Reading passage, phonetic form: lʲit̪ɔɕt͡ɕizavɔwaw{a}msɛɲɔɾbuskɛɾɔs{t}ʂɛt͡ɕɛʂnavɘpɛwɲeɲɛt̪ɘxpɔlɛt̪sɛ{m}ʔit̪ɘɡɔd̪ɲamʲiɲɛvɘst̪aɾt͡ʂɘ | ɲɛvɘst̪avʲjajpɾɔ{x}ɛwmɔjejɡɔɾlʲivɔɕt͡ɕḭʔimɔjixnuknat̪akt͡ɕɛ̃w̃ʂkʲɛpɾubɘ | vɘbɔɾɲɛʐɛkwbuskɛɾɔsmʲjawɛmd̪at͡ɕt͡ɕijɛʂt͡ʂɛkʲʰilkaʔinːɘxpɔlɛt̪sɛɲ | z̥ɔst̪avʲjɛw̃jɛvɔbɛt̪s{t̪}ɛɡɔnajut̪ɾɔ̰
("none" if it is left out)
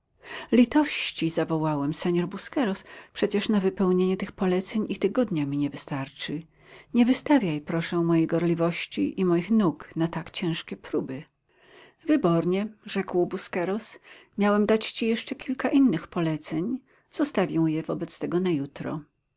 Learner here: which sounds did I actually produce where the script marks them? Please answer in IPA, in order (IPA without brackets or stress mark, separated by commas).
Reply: ɛ, p, ɲ, ʂ, t̪